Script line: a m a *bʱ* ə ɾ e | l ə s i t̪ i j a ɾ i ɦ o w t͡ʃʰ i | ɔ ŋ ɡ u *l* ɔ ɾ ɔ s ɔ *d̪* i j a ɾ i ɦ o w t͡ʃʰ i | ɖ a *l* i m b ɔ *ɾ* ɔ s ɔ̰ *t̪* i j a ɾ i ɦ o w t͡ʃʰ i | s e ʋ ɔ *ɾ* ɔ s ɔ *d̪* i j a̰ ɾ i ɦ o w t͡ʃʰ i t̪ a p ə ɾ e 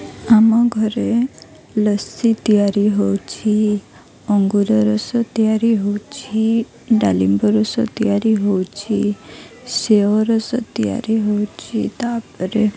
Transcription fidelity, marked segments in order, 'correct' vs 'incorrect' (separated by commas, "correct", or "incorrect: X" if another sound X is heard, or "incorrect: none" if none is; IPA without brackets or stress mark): incorrect: ɡʱ, incorrect: ɾ, incorrect: t̪, correct, correct, correct, correct, incorrect: t̪